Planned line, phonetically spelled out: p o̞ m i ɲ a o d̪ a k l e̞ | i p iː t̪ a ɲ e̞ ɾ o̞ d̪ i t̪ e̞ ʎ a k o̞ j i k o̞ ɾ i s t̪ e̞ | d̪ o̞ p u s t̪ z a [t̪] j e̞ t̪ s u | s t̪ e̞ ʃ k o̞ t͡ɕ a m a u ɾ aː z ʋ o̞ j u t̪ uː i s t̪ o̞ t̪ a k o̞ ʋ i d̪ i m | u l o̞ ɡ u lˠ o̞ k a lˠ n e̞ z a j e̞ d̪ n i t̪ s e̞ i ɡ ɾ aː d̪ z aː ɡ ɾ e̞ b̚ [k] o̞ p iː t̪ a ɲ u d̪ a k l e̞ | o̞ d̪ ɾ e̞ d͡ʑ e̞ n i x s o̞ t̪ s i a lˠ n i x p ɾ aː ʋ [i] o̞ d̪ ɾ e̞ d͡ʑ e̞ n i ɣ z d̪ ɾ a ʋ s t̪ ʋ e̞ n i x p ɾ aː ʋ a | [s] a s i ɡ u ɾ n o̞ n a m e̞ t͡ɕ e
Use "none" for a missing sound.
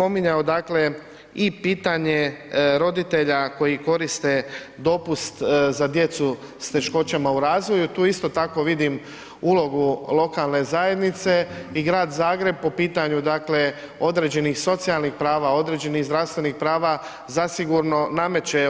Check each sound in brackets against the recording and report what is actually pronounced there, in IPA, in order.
d̪, p, a, z

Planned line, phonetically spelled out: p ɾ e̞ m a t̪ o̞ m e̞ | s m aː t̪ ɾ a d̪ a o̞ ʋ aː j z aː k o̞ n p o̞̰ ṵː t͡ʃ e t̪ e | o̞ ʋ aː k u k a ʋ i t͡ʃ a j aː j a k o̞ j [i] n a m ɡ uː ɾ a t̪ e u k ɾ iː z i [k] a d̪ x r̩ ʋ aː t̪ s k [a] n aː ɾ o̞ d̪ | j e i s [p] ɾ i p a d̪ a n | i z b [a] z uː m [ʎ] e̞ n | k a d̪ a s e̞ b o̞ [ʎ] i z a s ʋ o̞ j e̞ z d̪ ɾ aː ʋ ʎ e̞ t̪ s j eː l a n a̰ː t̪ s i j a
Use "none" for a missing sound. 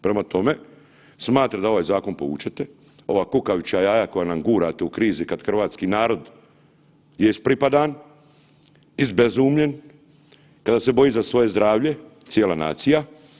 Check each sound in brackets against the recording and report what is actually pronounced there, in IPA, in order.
a, k, i, p, e, ʎ, j

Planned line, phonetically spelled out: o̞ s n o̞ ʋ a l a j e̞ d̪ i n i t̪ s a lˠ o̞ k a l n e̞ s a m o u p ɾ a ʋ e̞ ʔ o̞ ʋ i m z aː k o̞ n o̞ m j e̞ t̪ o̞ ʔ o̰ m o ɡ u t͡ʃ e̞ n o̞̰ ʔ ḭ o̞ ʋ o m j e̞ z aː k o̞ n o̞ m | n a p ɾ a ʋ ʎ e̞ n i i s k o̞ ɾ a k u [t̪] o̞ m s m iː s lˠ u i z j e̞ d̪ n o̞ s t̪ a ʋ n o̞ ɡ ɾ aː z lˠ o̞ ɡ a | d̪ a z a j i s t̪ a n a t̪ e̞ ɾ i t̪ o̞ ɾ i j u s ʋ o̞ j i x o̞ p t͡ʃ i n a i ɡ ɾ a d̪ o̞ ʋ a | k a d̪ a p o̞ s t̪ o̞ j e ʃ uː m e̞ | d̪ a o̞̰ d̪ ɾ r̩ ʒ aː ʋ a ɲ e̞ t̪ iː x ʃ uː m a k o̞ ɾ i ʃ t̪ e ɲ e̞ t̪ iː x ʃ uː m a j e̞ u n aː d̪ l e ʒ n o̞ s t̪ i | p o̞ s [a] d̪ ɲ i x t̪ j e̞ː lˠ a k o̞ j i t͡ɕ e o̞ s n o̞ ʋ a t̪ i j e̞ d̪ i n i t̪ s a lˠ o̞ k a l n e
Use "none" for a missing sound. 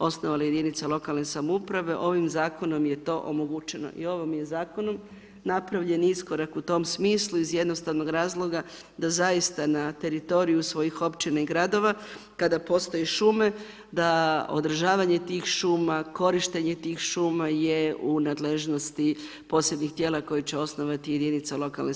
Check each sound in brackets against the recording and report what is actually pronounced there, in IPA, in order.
t̪, e

